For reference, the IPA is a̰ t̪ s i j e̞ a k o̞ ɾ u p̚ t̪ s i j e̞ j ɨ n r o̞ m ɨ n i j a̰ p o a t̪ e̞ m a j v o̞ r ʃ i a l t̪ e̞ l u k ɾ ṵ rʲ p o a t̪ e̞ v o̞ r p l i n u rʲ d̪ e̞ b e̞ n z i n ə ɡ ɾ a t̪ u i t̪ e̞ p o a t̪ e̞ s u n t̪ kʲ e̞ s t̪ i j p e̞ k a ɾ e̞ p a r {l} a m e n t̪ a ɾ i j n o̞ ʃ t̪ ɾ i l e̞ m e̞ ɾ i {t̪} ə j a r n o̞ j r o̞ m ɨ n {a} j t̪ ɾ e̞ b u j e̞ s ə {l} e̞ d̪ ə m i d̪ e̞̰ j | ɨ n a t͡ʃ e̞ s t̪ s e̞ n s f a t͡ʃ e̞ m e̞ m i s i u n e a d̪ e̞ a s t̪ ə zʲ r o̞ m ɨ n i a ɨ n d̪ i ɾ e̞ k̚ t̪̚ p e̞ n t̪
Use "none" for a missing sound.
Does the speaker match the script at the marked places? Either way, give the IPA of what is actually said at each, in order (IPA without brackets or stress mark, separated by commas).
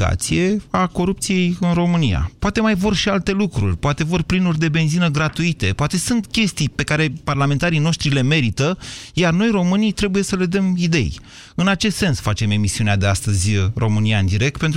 l, t̪, i, l